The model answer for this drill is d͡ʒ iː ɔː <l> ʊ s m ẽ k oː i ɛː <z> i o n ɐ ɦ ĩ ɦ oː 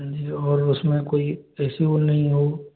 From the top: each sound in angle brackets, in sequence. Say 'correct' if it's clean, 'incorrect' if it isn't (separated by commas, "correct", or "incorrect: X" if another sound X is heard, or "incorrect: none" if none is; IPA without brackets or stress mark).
incorrect: ɾ, incorrect: s